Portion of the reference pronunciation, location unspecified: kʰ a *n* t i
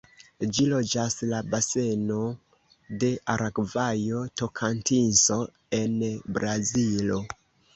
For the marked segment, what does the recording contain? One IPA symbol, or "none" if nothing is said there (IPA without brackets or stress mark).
n